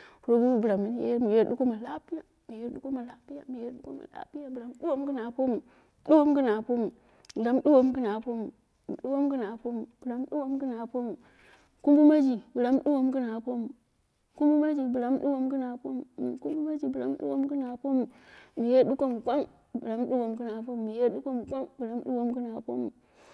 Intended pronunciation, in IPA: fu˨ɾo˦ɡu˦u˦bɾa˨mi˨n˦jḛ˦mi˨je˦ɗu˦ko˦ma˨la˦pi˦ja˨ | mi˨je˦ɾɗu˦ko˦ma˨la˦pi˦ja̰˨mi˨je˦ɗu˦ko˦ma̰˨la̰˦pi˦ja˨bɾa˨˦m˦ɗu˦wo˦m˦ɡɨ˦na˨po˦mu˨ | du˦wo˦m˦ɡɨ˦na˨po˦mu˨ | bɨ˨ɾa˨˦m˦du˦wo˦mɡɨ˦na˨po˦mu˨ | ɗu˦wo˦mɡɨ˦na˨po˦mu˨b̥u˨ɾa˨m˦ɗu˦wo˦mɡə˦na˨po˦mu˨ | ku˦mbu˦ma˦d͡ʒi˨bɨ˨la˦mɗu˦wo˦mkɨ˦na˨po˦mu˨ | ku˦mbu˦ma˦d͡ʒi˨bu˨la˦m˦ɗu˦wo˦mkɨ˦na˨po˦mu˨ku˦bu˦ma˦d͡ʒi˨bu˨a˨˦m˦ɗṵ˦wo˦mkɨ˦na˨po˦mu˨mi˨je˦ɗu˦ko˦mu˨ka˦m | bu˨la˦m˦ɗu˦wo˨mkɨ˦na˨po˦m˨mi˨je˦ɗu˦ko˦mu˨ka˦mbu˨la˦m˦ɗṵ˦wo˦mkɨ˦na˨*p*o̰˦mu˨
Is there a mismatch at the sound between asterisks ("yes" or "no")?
no